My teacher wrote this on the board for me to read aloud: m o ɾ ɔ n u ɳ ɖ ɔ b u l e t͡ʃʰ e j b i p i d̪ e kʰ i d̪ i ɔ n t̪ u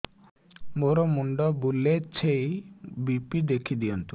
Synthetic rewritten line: m o ɾ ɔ m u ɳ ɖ ɔ b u l e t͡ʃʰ e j b i p i d̪ e kʰ i d̪ i ɔ n t̪ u